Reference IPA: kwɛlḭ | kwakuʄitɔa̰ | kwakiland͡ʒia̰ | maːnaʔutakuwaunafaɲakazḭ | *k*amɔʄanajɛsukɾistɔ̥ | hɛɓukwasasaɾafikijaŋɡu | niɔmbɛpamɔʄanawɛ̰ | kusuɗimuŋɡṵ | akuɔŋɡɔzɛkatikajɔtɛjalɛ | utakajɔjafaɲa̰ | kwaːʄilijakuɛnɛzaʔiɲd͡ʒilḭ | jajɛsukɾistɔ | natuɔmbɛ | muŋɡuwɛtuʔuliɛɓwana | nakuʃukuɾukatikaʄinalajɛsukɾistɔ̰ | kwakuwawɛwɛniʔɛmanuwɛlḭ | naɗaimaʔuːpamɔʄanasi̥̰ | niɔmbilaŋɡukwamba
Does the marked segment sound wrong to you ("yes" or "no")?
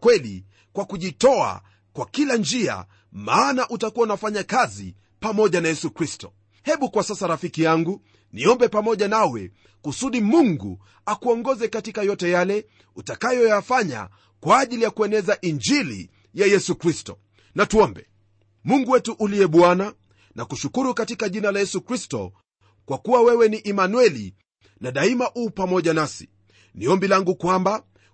yes